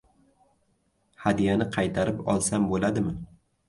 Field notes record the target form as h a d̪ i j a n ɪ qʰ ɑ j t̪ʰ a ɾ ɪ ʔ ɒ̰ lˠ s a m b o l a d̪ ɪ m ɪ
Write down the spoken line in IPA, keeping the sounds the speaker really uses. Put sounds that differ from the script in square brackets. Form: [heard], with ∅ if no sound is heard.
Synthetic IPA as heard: h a d̪ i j a n ɪ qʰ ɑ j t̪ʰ a ɾ ɪ [p] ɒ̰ lˠ s a m b o l a d̪ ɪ m ɪ